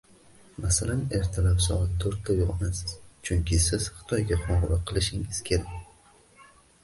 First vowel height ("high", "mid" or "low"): low